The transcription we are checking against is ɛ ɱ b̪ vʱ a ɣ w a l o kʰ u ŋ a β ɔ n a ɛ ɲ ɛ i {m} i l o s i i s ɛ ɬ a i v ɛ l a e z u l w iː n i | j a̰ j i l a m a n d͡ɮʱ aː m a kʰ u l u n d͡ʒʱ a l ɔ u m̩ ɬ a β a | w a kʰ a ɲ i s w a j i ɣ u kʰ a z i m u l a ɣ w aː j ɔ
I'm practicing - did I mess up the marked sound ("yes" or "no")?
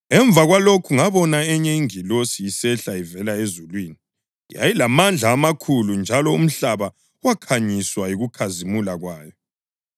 yes